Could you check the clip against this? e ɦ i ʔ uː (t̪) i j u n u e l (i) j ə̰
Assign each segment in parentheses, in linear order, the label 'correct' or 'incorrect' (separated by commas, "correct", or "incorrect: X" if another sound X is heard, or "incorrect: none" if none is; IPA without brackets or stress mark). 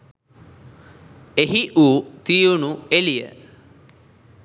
correct, correct